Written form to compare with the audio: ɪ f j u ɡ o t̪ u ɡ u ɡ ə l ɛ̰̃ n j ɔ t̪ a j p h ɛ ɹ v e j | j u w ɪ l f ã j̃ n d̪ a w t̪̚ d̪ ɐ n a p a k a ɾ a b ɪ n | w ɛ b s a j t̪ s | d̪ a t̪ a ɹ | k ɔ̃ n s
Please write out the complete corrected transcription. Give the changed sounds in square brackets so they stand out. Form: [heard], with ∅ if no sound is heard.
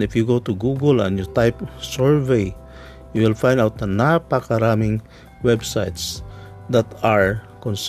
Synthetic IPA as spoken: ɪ f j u ɡ o t̪ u ɡ u ɡ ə l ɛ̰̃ n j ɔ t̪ a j p [s] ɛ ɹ v e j | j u w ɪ l f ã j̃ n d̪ a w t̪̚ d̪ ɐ n a p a k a ɾ a [m] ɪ [ŋ] | w ɛ b s a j t̪ s | d̪ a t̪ a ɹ | k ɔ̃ n s